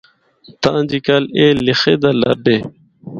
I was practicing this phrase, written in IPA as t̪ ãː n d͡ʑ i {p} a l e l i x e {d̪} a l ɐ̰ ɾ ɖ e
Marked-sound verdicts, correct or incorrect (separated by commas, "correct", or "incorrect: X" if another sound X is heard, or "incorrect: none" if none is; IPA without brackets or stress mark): incorrect: k, correct